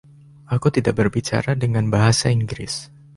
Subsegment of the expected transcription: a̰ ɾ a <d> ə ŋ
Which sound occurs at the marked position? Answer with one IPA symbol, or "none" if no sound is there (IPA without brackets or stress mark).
d